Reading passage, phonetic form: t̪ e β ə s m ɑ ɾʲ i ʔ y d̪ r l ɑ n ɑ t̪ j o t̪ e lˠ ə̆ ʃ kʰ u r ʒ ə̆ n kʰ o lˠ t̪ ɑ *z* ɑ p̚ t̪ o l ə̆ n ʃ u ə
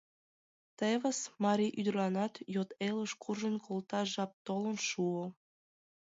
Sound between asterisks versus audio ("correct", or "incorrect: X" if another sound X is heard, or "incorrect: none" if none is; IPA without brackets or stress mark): incorrect: ʒ